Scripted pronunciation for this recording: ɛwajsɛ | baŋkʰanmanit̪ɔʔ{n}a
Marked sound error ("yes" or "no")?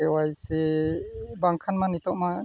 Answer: yes